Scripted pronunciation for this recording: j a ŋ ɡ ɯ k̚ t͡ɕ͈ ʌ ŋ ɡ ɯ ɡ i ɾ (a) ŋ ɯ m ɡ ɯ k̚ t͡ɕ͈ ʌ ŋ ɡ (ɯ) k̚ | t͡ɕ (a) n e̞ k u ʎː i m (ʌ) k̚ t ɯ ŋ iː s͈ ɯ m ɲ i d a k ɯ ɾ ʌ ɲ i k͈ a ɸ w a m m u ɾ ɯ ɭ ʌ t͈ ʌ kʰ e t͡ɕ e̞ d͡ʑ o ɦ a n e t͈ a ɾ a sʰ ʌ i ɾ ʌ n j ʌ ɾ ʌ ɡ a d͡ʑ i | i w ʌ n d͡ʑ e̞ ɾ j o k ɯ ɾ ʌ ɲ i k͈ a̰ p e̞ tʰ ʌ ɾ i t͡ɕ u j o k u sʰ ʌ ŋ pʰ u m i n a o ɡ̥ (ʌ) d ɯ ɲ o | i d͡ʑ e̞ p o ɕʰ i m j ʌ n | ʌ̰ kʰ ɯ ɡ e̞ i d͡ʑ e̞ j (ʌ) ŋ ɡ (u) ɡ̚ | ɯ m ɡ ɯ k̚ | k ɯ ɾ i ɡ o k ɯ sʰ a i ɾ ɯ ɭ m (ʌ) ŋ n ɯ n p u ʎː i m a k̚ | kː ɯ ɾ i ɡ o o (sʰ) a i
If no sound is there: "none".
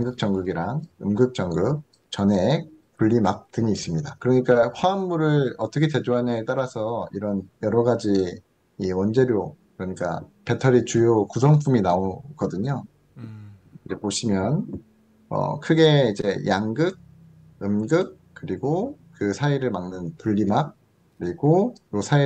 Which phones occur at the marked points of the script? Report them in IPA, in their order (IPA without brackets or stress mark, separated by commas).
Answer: a, ɯ, ʌ, a, ʌ, a, ɯ, a, sʰ